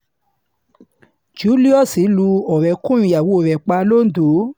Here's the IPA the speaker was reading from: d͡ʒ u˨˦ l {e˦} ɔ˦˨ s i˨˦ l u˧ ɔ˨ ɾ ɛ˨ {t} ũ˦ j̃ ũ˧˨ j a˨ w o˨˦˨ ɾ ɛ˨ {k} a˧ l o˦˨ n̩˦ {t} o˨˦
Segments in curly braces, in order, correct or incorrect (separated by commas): incorrect, incorrect, incorrect, incorrect